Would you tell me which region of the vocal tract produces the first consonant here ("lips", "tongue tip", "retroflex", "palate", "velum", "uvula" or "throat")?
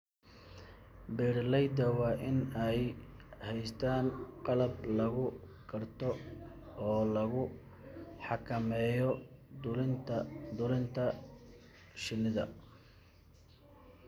lips